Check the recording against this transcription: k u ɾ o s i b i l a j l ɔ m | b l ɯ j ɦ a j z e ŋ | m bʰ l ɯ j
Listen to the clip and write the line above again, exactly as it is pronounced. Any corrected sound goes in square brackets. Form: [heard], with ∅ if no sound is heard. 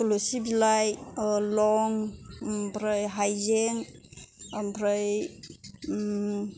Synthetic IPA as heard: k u [l] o s i b i l a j l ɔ [ŋ] | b [ɾ] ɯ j ɦ a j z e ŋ | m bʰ [ɾ] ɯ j

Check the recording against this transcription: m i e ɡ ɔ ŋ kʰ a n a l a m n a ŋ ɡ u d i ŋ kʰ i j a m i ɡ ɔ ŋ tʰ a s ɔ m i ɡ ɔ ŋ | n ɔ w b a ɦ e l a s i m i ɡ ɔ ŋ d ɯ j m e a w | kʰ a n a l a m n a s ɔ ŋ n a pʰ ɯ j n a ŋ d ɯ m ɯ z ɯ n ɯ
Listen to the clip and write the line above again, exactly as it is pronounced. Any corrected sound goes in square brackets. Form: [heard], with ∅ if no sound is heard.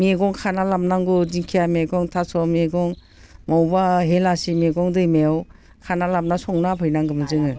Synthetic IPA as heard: m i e ɡ ɔ ŋ kʰ a n a l a m n a ŋ ɡ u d i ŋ kʰ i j a m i ɡ ɔ ŋ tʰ a s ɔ m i ɡ ɔ ŋ | [m] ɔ w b a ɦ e l a s i m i ɡ ɔ ŋ d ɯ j m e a w | kʰ a n a l a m n a s ɔ ŋ n a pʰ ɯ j n a ŋ [ɡ] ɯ m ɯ z ɯ [ŋ] ɯ

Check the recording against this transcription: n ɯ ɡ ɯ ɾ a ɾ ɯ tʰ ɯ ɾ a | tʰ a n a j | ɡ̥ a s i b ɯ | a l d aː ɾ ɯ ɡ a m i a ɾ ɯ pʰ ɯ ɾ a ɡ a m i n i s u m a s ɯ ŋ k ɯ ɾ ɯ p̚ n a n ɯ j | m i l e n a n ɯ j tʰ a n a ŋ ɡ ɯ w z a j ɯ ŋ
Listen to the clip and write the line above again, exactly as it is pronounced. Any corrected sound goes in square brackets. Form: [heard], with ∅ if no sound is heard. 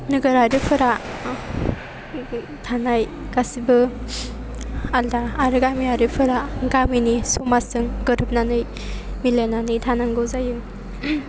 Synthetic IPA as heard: n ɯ ɡ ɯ ɾ a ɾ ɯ [pʰ] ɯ ɾ a | tʰ a n a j | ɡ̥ a s i b ɯ | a l d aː ɾ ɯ ɡ a m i a ɾ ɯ pʰ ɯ ɾ a ɡ a m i n i s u m a s ɯ ŋ [ɡ] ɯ ɾ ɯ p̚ n a n ɯ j | m i l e n a n ɯ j tʰ a n a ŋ ɡ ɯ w z a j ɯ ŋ

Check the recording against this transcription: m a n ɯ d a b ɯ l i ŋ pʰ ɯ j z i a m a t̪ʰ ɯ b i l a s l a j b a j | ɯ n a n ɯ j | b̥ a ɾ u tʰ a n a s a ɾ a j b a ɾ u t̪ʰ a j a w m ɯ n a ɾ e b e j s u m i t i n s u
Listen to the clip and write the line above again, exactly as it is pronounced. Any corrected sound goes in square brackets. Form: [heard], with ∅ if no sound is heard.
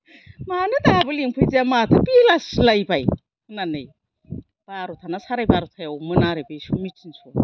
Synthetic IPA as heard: m a n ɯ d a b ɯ l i ŋ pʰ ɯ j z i a m a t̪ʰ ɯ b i l a s l a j b a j | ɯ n a n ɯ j | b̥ a ɾ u tʰ a n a s a ɾ a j b a ɾ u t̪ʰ a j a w m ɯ n a ɾ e b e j s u m i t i n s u

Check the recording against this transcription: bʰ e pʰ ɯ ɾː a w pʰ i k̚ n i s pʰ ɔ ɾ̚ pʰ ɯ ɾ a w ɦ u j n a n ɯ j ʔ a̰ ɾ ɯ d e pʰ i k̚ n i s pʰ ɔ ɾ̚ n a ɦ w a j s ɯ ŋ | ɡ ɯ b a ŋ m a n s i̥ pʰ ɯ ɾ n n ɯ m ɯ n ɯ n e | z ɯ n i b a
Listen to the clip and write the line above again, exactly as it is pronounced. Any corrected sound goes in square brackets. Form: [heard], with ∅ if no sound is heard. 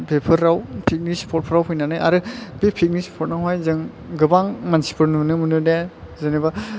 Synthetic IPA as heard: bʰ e pʰ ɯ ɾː a w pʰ i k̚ n i s pʰ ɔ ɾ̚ pʰ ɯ ɾ a w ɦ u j n a n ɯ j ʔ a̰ ɾ ɯ [b] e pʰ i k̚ n i s pʰ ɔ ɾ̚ n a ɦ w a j [z] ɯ ŋ | ɡ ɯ b a ŋ m a n s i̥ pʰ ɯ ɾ n n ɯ m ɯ n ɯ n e | z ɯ n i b a

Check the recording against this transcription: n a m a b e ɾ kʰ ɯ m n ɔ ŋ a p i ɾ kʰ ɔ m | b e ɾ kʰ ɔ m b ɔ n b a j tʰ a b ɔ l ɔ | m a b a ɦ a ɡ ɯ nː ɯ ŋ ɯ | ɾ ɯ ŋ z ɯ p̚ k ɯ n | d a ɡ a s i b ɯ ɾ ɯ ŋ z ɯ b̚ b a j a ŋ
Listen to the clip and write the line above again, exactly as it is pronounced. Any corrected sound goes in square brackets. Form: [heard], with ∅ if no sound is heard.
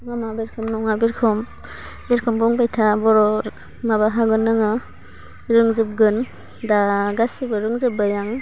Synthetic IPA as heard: [ŋ] a m a b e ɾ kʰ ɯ m n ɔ ŋ a [b] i ɾ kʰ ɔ m | b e ɾ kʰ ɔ m b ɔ [ŋ] b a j tʰ a b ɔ [ɾ] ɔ | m a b a ɦ a ɡ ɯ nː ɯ ŋ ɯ | ɾ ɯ ŋ z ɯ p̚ [ɡ] ɯ n | d a ɡ a s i b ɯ ɾ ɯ ŋ z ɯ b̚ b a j a ŋ

